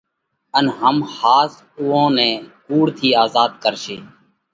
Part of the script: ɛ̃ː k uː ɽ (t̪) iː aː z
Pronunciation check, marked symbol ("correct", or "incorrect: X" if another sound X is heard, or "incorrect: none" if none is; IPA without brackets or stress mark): incorrect: t̪ʰ